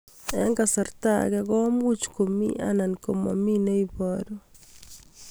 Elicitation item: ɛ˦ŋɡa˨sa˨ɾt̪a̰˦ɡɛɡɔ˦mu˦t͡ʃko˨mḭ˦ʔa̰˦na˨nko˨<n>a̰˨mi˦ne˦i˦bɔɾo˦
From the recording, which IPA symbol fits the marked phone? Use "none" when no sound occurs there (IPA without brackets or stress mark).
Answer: m